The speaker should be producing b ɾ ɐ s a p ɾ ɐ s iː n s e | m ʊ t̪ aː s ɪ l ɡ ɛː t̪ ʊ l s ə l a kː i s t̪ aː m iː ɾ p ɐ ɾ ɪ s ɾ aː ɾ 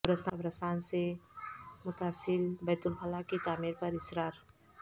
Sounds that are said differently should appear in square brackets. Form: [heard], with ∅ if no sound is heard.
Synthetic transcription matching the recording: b ɾ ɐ s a [b] ɾ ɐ s [aː] n s e | m ʊ t̪ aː s ɪ l [b] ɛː t̪ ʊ l [x] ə l a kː i [∅] t̪ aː m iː ɾ p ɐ ɾ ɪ s ɾ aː ɾ